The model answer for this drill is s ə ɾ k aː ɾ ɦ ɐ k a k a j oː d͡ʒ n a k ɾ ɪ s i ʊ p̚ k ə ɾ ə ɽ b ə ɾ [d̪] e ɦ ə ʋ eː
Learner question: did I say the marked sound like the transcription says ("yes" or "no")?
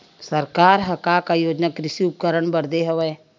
yes